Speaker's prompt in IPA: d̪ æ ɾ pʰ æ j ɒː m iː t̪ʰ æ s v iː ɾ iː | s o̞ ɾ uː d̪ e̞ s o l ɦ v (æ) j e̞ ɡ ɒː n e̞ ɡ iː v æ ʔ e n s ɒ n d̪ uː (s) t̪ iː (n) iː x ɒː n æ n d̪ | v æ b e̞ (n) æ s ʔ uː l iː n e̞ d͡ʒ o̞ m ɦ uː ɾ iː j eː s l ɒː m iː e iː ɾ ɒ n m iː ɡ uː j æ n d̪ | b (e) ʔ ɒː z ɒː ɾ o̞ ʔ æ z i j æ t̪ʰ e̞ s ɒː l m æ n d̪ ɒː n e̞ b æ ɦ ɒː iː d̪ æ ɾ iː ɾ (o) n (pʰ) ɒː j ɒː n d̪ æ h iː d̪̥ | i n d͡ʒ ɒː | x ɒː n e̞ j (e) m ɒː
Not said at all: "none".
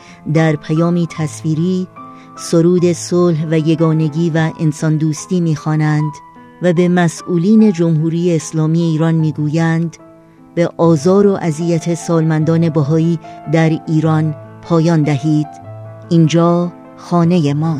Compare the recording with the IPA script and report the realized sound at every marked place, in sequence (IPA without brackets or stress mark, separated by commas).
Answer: æ, s, m, m, e, ɒ, pʰ, e